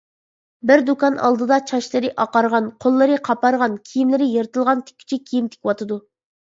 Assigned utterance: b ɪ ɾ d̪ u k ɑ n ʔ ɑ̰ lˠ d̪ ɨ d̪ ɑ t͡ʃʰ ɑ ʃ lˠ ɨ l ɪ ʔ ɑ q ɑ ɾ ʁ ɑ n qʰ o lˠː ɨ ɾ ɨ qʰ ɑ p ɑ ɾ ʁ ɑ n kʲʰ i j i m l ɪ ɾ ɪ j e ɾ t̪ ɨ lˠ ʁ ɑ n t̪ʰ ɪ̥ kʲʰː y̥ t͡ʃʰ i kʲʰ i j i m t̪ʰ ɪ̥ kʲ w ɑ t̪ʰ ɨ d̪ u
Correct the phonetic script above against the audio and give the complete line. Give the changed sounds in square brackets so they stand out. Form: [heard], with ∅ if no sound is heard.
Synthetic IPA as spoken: b ɪ ɾ d̪ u k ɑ n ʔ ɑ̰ lˠ d̪ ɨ d̪ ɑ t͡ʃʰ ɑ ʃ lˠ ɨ [ɾ] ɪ ʔ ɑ q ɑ ɾ ʁ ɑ n qʰ o lˠː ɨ ɾ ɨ qʰ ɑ p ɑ ɾ ʁ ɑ n kʲʰ i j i m l ɪ ɾ ɪ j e ɾ t̪ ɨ lˠ ʁ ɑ n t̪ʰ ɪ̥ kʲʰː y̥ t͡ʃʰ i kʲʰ i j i m t̪ʰ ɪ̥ kʲ w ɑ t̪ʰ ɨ d̪ u